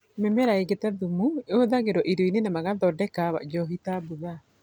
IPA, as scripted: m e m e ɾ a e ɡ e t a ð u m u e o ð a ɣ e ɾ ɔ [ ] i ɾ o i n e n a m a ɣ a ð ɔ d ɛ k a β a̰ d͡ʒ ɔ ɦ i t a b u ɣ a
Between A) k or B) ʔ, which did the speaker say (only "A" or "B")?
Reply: B